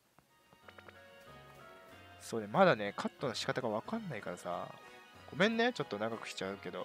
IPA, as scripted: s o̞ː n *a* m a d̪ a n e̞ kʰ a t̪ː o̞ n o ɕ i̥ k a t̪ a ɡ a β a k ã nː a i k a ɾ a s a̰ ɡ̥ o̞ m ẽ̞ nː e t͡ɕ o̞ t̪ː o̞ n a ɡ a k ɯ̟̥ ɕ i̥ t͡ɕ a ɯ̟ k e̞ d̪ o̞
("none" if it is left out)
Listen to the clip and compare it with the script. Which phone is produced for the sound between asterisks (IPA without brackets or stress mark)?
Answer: e